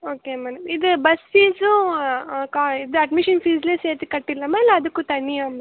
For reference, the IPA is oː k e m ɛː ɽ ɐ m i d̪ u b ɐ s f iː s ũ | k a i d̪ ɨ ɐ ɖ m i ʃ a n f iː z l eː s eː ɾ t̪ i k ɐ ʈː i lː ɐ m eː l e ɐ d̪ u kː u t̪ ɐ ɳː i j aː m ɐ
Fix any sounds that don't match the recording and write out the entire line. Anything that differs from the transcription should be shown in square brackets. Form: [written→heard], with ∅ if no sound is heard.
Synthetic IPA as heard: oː k e m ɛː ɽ ɐ m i d̪ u b ɐ s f iː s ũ | k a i d̪ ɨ ɐ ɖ m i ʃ [a→ɐ] n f iː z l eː s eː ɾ t̪ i k ɐ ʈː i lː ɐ m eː l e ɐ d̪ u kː u t̪ ɐ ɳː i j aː m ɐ